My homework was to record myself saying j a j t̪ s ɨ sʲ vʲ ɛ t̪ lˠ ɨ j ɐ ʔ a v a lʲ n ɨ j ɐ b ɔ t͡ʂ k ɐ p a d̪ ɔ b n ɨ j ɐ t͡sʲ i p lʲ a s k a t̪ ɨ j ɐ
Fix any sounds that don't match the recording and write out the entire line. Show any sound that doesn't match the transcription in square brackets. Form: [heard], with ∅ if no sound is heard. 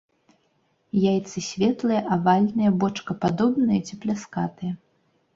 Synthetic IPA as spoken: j a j t̪ s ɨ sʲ vʲ ɛ t̪ lˠ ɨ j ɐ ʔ a v a lʲ n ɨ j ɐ b ɔ t͡ʂ k ɐ p a d̪ ɔ b n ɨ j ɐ t͡sʲ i p lʲ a s k a t̪ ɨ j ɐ